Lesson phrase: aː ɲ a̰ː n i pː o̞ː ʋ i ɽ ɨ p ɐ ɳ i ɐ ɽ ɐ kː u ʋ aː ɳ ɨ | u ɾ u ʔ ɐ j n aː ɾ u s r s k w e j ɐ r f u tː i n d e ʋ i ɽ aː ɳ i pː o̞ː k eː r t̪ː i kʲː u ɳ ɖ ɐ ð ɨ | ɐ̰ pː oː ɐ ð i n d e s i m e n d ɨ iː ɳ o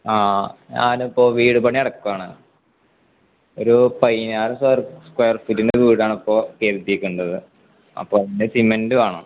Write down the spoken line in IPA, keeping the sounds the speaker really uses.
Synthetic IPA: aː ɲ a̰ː n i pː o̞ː ʋ iː ɽ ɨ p ɐ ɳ i ɐ ɽ ɐ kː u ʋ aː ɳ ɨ | o ɾ u p ɐ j n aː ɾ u s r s k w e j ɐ r f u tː i n d e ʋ iː ɽ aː ɳ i pː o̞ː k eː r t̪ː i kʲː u ɳ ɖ ɐ ð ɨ | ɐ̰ pː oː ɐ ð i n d e s i m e n d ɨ aː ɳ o